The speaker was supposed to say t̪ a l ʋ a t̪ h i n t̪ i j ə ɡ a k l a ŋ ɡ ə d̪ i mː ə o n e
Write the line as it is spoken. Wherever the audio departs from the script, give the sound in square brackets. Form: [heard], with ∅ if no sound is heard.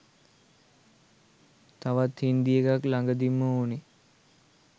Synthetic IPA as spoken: t̪ a [∅] ʋ a t̪ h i n [d̪] i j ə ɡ a k l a ŋ ɡ ə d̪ i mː ə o n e